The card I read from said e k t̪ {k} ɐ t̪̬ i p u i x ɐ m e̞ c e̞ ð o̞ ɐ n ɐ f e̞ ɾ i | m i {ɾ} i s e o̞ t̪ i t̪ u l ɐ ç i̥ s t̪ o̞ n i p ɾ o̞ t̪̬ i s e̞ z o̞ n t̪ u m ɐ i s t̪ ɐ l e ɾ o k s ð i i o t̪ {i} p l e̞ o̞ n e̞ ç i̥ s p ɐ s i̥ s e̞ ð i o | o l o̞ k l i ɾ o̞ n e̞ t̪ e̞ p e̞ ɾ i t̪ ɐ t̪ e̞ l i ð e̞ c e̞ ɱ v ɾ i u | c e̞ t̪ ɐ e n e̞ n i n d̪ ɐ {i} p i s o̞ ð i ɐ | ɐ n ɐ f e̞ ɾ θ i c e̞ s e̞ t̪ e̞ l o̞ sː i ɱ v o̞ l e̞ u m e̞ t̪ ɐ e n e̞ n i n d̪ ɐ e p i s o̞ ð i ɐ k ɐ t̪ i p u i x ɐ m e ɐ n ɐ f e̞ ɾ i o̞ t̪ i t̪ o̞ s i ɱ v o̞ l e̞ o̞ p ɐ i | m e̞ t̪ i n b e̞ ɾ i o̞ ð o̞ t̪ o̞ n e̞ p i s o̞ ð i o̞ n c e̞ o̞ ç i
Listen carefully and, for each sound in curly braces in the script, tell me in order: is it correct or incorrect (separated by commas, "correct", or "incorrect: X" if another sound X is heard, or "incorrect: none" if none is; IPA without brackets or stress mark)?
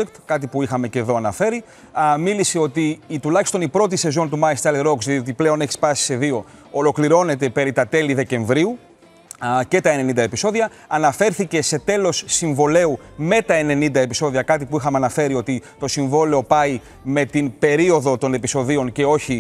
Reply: correct, incorrect: l, correct, incorrect: e